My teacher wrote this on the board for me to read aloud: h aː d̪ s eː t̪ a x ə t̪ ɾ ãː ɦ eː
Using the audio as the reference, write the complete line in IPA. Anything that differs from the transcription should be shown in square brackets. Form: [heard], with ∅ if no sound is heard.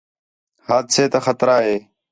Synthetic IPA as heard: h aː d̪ s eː t̪ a x ə t̪ ɾ [aː] ɦ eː